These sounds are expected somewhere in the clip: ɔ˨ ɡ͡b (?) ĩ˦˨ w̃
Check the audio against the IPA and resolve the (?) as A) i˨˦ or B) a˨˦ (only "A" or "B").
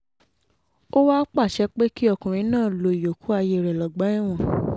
B